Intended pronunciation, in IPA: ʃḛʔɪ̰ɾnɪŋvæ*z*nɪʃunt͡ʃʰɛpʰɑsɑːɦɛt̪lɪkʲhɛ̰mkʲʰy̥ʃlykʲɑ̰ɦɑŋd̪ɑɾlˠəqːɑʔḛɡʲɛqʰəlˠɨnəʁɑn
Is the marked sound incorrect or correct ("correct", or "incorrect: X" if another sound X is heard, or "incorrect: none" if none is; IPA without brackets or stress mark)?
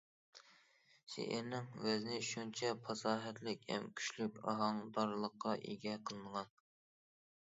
correct